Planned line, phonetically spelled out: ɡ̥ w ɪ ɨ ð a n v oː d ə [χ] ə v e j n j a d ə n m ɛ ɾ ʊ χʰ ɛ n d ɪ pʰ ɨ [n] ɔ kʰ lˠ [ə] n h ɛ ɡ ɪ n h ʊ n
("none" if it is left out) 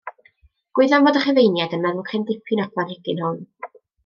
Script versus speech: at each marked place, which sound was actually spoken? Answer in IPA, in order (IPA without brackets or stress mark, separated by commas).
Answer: χ, n, a